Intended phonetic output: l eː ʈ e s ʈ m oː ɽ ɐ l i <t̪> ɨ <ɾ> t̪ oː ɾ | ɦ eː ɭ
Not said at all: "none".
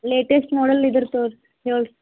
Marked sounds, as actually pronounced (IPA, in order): d̪, ɾ

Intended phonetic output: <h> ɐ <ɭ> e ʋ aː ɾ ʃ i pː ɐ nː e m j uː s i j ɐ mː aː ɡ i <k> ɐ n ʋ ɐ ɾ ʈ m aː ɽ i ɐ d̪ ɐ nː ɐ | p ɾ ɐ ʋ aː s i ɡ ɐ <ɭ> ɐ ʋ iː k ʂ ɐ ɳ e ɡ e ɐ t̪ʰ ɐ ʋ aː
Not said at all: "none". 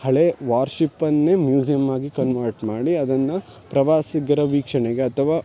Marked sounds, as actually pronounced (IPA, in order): h, ɭ, k, ɾ

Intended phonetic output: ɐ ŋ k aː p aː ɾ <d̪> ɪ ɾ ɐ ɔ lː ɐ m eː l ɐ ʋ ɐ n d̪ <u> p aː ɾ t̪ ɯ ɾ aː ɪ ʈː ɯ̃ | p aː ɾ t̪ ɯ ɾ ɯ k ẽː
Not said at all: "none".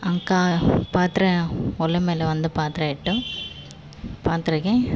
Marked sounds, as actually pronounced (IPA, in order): t̪, ɯ

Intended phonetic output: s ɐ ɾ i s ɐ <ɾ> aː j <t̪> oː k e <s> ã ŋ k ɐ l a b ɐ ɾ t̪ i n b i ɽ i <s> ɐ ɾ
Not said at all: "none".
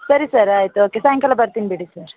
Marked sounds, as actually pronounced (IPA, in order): ɾ, t̪, s, s

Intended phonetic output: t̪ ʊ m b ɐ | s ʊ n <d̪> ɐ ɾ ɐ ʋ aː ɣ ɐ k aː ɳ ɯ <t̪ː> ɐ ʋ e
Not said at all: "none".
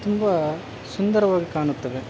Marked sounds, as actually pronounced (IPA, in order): d̪, t̪ː

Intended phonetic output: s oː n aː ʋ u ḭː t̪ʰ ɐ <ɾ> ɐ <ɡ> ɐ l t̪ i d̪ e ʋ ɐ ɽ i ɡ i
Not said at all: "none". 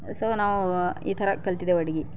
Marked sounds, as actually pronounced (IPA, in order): ɾ, k

